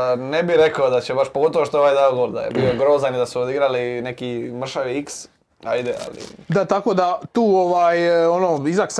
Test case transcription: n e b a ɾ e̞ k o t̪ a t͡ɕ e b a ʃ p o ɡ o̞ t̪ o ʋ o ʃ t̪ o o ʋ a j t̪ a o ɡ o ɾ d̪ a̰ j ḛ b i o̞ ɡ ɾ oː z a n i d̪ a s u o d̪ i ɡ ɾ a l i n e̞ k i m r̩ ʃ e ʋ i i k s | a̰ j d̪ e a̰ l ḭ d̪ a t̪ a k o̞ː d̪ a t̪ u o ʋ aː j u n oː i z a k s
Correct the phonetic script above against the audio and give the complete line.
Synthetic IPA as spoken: n e b i ɾ e̞ k o d̪ a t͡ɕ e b a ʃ p o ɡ o̞ t̪ o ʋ o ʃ t̪ o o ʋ a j d̪ a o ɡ o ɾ d̪ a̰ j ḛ b i o̞ ɡ ɾ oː z a n i d̪ a s u o d̪ i ɡ ɾ a l i n e̞ k i m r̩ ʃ a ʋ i i k s | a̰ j d̪ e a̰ l ḭ d̪ a t̪ a k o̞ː d̪ a t̪ uː o ʋ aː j o n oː i z a k s